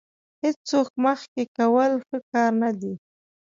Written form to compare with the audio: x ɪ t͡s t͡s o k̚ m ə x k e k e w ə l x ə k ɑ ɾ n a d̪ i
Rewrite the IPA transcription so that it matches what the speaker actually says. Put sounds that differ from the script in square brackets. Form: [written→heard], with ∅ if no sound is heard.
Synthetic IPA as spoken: [x→h] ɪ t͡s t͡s o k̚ m ə x k e k [e→a] w ə l x ə k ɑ ɾ n a d̪ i